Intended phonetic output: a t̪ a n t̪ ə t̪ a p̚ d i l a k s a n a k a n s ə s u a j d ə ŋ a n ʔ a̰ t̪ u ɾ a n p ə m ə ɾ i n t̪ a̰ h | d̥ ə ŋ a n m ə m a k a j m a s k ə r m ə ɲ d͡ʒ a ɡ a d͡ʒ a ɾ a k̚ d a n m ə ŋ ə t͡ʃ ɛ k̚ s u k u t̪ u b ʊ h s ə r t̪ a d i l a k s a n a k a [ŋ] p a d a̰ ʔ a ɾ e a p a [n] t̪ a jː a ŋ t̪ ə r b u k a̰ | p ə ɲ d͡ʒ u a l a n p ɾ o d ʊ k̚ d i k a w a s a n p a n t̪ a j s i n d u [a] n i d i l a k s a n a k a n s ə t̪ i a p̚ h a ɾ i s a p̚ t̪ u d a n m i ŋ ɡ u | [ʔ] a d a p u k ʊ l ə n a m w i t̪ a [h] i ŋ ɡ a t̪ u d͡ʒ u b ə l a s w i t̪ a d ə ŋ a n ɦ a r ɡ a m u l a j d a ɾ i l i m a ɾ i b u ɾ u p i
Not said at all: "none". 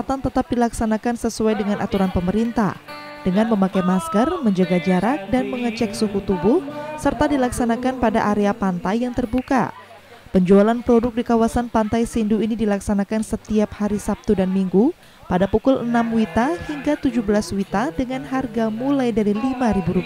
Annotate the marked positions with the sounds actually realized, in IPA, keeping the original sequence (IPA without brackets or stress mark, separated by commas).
n, n, i, p, h